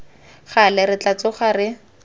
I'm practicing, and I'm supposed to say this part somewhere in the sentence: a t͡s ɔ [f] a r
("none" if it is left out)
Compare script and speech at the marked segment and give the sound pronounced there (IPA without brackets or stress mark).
χ